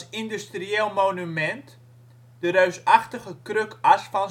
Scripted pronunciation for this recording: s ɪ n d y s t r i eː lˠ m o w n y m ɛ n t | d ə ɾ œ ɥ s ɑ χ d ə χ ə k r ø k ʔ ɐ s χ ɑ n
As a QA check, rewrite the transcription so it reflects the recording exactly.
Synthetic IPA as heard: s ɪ n d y s t r i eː lˠ m o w n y m ɛ n t | d ə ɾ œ ɥ s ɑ χ t ə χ ə k r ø k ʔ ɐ s f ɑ n